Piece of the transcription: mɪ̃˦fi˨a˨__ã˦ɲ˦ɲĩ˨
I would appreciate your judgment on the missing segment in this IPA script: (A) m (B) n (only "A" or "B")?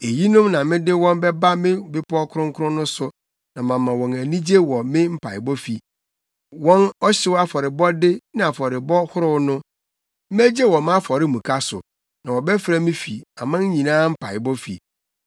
A